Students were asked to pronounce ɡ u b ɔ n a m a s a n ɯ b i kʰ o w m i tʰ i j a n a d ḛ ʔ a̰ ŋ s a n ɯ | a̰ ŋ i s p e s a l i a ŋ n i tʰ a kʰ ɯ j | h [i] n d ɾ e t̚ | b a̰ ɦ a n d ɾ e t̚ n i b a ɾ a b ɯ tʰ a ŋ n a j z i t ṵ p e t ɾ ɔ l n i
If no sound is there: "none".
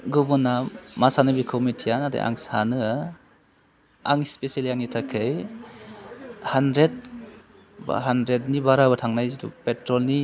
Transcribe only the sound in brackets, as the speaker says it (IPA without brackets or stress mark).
a